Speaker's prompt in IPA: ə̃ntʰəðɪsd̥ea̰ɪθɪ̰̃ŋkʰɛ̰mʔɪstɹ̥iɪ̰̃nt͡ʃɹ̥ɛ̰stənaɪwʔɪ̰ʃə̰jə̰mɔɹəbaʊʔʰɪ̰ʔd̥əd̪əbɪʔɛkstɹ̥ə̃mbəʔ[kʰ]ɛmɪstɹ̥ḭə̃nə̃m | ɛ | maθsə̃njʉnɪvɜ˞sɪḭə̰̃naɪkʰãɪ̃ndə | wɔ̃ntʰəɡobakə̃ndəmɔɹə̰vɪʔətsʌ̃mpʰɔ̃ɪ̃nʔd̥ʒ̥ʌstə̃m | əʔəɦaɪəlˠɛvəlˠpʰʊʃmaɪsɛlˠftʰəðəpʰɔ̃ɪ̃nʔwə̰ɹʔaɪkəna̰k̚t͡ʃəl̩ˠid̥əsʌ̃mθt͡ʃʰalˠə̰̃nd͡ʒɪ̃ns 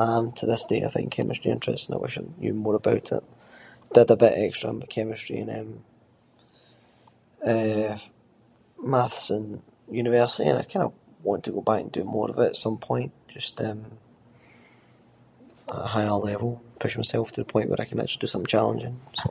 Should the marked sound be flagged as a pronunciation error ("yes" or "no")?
no